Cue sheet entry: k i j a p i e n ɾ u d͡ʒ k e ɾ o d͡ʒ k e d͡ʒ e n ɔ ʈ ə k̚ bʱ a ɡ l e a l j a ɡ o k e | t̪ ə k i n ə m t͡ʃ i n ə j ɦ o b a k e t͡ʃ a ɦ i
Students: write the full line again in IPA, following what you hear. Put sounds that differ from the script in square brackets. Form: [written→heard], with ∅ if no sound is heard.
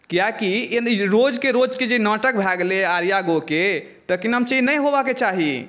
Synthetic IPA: k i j a [p→k] i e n ɾ [u→o] d͡ʒ k e ɾ o d͡ʒ k e d͡ʒ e n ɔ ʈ ə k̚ bʱ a ɡ l e a [l→ɾ] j a ɡ o k e | t̪ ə k i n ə m t͡ʃ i n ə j ɦ o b a k e t͡ʃ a ɦ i

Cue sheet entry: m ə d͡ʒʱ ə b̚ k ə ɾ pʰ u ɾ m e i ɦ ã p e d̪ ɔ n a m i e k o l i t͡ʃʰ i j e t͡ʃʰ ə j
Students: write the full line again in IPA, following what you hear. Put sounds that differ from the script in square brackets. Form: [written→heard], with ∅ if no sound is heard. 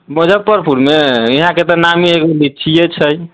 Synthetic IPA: m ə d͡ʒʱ ə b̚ [k→p] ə ɾ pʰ u ɾ m e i ɦ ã [p→k] e [d̪→t̪] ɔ n a m i e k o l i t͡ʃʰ i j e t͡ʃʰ ə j

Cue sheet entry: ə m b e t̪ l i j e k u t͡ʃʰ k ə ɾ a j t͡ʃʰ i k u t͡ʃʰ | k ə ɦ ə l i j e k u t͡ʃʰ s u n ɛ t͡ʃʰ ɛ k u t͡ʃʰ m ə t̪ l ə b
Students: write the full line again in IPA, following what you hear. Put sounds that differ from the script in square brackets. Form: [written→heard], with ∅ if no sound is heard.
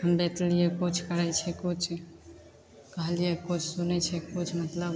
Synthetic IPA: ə m b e t̪ l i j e k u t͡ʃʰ k ə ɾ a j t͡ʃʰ [i→ɛ] k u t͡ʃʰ | k ə ɦ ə l i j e k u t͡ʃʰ s u n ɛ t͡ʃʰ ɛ k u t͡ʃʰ m ə t̪ l ə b

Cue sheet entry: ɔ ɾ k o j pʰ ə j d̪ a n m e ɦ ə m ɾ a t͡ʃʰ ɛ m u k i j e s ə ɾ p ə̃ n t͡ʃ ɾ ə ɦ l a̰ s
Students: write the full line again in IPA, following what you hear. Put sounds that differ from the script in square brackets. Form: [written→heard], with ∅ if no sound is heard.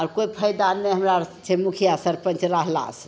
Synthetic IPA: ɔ ɾ k o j pʰ ə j d̪ a n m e ɦ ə m ɾ a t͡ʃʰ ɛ m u [k→kʰ] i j [e→a] s ə ɾ p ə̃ n t͡ʃ ɾ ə ɦ l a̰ s

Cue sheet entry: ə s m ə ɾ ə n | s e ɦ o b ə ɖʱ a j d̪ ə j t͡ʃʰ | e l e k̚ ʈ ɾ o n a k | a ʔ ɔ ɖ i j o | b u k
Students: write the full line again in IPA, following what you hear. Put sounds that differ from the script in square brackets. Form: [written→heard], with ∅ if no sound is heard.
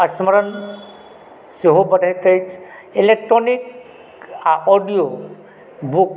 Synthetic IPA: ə s m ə ɾ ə n | s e ɦ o b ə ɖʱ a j [d̪→t̪] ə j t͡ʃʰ | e l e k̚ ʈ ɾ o n [a→i] k | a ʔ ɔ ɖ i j o | b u k

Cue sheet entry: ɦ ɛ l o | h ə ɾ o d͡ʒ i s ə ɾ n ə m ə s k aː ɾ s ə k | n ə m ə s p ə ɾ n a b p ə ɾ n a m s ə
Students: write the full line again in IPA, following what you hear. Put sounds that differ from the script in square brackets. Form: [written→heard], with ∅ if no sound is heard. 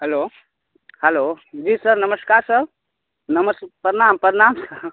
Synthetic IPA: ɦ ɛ l o | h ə [ɾ→l] o d͡ʒ i s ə ɾ n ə m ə s k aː ɾ s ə [k→∅] | n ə m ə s p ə ɾ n a [b→m] p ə ɾ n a m s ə

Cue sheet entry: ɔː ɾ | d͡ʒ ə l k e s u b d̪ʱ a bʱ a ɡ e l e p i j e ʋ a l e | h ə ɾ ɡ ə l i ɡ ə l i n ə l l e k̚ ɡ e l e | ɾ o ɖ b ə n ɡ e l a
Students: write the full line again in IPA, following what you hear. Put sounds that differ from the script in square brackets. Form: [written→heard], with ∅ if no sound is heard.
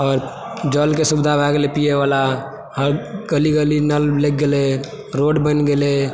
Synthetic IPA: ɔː ɾ | d͡ʒ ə l k e s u b d̪ʱ a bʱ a ɡ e l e p i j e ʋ a l [e→a] | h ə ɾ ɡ ə l i ɡ ə l i n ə l l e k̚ ɡ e l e | ɾ o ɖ b ə n ɡ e l [a→e]

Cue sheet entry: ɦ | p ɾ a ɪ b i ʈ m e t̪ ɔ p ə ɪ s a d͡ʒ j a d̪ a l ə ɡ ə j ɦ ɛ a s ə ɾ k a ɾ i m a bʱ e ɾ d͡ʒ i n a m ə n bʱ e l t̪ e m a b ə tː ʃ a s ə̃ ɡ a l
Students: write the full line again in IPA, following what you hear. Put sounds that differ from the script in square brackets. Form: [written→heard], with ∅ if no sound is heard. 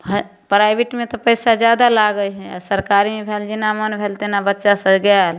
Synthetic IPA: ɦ | p ɾ a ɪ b i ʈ m e t̪ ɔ p ə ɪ s a d͡ʒ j a d̪ a l [ə→a] ɡ ə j ɦ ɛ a s ə ɾ k a ɾ i m [a→e] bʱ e [ɾ→l] d͡ʒ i n a m ə n bʱ e l t̪ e [m→n] a b ə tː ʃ a s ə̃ ɡ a l

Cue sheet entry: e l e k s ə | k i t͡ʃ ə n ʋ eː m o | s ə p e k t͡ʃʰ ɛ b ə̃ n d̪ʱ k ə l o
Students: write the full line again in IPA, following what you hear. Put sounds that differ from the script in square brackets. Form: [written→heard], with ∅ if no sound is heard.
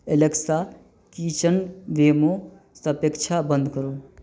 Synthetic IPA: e l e k s [ə→a] | k i t͡ʃ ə n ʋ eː m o | s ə p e k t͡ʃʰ [ɛ→a] b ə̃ n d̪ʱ k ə [l→ɾ] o

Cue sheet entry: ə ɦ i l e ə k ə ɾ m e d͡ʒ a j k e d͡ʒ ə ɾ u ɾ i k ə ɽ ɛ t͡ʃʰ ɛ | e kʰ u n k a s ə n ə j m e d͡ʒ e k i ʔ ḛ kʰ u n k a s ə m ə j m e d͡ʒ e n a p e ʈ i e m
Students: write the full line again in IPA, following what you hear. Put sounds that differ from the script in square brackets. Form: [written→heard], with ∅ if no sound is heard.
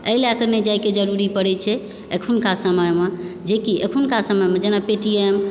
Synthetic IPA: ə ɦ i l e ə k ə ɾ [m→n] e d͡ʒ a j k e d͡ʒ ə ɾ u ɾ i [k→p] ə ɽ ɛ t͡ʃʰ ɛ | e kʰ u n k a s ə [n→m] ə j m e d͡ʒ e k i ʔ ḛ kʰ u n k a s ə m ə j m e d͡ʒ e n a p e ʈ i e m

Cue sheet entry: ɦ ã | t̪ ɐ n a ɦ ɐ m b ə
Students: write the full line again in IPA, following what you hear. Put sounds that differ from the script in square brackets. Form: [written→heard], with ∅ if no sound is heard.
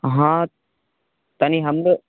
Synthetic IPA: ɦ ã | t̪ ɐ n [a→i] ɦ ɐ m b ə

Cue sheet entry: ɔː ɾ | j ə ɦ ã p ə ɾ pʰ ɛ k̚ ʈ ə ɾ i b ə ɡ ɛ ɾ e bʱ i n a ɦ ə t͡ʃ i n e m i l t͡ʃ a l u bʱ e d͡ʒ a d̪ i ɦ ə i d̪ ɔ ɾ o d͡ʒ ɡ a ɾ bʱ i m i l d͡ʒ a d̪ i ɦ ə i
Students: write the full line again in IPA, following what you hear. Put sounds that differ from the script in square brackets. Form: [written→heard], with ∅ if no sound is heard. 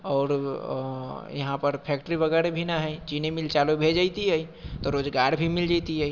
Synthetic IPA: ɔː ɾ | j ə ɦ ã p ə ɾ pʰ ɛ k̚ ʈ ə ɾ i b ə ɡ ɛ ɾ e bʱ i n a ɦ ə t͡ʃ i n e m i l t͡ʃ a l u bʱ e d͡ʒ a [d̪→t̪] i ɦ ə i [d̪→t̪] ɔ ɾ o d͡ʒ ɡ a ɾ bʱ i m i l d͡ʒ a [d̪→t̪] i ɦ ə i

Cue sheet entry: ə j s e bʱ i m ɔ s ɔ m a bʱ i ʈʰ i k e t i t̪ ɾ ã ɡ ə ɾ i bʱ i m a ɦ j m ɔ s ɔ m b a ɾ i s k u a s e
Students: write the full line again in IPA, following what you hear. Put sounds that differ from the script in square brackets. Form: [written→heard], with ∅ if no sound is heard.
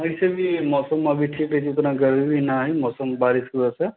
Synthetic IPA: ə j s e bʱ i m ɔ s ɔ m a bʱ i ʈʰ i k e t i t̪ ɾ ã ɡ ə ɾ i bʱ i [m→n] a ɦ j m ɔ s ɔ m b a ɾ i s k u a s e

